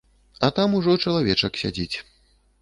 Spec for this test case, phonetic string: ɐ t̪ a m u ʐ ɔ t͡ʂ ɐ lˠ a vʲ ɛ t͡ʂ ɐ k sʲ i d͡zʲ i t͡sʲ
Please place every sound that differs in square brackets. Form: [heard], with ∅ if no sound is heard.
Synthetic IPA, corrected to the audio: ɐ t̪ a m u ʐ ɔ t͡ʂ ɐ lˠ a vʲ ɛ t͡ʂ ɐ k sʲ [a] d͡zʲ i t͡sʲ